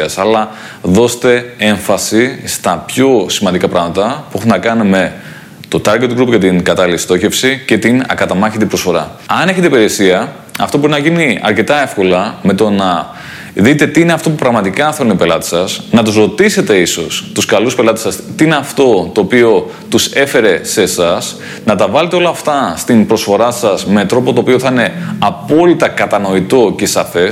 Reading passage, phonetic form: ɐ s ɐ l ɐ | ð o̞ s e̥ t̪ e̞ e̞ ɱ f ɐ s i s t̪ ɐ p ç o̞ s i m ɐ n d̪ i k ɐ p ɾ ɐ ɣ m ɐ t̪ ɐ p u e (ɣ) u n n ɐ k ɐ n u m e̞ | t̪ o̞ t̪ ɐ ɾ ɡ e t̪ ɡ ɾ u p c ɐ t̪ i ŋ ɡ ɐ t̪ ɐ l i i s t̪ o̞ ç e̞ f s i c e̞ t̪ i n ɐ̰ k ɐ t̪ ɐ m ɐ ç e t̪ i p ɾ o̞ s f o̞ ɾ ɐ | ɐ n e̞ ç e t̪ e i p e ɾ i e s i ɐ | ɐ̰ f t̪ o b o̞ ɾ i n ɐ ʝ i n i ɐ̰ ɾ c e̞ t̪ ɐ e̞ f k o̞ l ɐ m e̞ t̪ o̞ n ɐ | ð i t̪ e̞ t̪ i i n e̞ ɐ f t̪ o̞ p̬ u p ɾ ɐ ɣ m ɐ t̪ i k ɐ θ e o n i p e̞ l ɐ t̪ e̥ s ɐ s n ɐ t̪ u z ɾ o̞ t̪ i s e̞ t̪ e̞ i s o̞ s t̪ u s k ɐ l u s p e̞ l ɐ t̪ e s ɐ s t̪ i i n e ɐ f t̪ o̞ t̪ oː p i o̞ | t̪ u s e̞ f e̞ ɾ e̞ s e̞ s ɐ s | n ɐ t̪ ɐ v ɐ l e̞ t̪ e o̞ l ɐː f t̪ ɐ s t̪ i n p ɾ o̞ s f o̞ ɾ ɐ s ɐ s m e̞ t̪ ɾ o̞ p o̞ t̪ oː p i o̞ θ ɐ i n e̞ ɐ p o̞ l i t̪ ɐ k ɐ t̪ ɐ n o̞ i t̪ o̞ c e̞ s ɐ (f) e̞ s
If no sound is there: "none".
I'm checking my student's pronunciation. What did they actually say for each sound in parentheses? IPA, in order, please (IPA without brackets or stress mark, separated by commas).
x, f